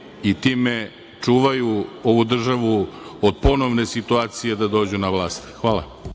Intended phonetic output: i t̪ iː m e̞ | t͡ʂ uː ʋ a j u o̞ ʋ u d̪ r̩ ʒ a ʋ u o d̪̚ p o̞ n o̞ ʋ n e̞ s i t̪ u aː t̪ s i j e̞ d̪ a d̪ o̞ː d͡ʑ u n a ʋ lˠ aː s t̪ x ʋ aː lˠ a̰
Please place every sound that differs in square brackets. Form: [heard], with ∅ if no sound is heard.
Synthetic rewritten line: i t̪ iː m e̞ | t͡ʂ uː ʋ a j u o̞ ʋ u d̪ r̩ ʒ a ʋ u o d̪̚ p o̞ n o̞ ʋ n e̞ s i t̪ u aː t̪ s i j e̞ d̪ a d̪ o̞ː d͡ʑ u n a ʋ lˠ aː s t̪ x ʋ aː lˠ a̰